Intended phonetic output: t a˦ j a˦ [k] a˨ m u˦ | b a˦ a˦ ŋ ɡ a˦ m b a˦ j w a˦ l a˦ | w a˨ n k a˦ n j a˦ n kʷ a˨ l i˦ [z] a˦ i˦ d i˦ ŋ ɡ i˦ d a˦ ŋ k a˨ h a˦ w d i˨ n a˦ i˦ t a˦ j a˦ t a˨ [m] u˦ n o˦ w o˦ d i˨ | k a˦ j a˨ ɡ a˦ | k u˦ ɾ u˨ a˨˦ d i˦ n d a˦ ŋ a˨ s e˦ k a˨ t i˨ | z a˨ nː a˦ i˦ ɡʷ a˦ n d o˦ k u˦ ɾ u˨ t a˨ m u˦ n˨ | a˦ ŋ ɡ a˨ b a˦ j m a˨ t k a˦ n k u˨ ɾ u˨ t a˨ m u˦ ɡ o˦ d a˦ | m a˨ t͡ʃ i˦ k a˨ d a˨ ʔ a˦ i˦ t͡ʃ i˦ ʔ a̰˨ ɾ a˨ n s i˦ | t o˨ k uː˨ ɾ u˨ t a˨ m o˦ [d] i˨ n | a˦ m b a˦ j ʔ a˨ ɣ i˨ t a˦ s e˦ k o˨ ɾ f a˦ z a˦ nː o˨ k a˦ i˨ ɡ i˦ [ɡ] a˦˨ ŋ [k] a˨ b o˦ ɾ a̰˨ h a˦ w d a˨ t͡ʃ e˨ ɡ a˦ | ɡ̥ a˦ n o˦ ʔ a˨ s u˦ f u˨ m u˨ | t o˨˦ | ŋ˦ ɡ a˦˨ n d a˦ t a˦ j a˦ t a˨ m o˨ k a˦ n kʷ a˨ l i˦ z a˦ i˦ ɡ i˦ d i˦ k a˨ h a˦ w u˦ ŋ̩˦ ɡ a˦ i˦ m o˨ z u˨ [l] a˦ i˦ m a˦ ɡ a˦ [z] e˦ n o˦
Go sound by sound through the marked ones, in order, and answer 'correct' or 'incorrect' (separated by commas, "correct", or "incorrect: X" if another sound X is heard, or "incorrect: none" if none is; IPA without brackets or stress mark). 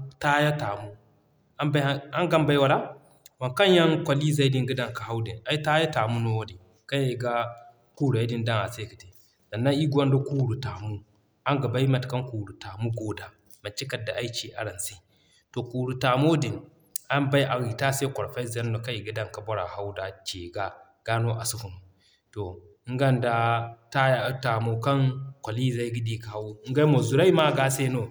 incorrect: t, correct, correct, correct, incorrect: d, correct, incorrect: ɾ, incorrect: s